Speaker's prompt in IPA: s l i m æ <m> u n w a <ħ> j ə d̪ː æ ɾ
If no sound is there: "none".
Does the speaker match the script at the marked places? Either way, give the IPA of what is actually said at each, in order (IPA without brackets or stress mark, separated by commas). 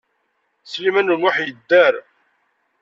n, ħ